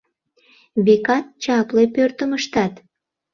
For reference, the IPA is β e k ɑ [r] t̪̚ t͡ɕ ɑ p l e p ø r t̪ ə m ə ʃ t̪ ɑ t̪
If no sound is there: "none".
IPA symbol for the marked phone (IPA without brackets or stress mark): none